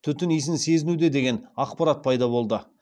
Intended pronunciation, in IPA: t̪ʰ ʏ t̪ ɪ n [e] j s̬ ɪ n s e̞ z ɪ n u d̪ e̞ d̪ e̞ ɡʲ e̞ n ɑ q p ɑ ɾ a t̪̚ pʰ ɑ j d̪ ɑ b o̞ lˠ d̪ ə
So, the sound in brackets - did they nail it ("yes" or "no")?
no